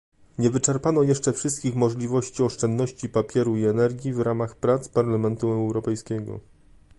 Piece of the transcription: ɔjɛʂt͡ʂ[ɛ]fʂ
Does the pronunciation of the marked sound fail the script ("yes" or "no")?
no